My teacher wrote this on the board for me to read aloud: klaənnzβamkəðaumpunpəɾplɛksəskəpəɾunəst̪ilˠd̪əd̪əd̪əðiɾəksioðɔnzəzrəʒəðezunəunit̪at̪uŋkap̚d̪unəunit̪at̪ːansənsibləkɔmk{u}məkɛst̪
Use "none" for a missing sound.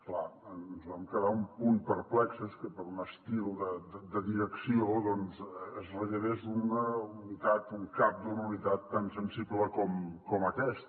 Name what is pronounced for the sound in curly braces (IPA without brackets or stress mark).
ɔ